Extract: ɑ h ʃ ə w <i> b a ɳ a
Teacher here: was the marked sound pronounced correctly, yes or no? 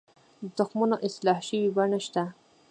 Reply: yes